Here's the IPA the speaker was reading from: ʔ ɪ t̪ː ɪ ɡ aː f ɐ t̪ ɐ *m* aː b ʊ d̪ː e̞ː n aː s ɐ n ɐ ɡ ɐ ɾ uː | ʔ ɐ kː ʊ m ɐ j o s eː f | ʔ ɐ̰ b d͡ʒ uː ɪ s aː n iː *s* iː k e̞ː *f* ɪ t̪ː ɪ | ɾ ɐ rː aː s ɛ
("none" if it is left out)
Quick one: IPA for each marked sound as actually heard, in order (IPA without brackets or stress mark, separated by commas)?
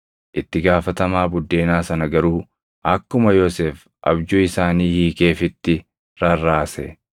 m, h, f